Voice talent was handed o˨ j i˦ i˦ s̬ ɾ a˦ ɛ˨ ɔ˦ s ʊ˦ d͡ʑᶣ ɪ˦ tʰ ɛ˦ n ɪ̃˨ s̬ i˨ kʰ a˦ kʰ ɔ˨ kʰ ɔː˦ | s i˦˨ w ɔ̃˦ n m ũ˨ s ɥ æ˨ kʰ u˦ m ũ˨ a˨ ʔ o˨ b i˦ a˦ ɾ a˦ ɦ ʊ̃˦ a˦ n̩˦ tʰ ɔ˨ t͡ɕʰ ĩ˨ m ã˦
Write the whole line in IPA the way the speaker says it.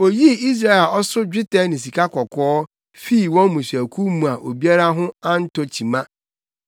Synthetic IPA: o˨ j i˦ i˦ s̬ ɾ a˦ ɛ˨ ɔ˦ s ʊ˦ d͡ʑᶣ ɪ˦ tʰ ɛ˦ n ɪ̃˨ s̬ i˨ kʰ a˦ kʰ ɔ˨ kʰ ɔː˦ | f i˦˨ w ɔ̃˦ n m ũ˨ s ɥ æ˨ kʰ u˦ m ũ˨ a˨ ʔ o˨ b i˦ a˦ ɾ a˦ ɦ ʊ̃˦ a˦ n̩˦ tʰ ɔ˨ t͡ɕʰ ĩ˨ m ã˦